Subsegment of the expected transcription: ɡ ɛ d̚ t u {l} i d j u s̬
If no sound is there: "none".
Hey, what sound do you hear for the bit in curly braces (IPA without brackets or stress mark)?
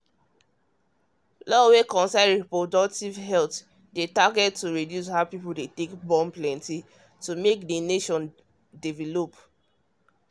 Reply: ɹ